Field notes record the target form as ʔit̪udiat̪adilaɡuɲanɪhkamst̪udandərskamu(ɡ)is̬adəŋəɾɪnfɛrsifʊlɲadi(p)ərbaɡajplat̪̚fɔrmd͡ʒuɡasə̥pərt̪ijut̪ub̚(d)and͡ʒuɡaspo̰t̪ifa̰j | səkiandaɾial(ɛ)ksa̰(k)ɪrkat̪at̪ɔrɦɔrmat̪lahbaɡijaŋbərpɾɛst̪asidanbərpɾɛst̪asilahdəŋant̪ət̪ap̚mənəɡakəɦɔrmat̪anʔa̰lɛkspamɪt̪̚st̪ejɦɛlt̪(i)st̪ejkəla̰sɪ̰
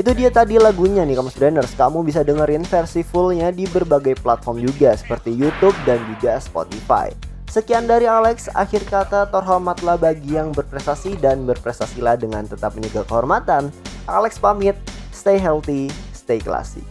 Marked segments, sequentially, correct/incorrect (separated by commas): incorrect, incorrect, correct, correct, incorrect, correct